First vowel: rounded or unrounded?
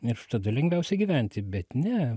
unrounded